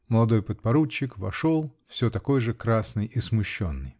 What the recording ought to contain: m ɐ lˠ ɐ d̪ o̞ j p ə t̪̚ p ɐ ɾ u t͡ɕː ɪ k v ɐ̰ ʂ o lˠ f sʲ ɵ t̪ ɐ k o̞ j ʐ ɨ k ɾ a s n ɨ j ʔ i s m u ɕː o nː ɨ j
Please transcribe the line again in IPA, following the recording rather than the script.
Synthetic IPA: m ə lˠ ɐ d̪ o̞ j p ə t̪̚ p ɐ ɾ u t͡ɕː ɪ k v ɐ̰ ʂ o lˠ f sʲ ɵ t̪ ɐ k o̞ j ʐ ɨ k ɾ a s n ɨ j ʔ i s m ʊ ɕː o nː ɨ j